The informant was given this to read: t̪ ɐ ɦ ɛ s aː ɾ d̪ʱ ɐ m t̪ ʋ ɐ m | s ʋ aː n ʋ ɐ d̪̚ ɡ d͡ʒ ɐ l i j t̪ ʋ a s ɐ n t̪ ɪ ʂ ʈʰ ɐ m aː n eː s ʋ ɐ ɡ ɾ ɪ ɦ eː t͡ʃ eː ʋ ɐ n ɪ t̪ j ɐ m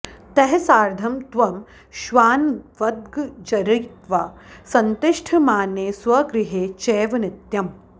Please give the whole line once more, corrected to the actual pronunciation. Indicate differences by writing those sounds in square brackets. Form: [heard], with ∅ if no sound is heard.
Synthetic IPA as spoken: t̪ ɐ ɦ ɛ s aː ɾ d̪ʱ ɐ m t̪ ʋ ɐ m | [ʃ] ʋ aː n ʋ ɐ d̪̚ ɡ d͡ʒ ɐ [ɾ] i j t̪ ʋ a s ɐ n t̪ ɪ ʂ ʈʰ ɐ m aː n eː s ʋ ɐ ɡ ɾ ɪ ɦ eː t͡ʃ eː ʋ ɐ n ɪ t̪ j ɐ m